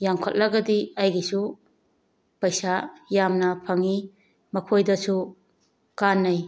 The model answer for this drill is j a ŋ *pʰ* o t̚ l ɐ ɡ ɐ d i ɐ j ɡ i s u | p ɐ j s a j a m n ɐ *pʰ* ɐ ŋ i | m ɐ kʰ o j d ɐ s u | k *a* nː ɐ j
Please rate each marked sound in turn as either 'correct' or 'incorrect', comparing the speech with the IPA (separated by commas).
incorrect, correct, correct